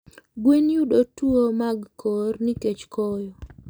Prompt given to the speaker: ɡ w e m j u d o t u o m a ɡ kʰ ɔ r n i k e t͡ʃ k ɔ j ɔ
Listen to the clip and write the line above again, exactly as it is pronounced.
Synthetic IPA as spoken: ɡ w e n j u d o t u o m a ɡ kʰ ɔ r n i k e t͡ʃ k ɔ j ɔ